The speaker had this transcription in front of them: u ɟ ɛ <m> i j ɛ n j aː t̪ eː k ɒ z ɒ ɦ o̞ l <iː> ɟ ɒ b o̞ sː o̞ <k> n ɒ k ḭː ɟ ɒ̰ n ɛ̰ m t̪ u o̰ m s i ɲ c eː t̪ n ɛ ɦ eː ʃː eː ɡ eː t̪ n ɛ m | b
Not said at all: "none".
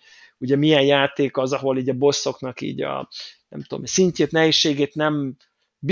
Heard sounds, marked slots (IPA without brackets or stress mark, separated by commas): m, iː, k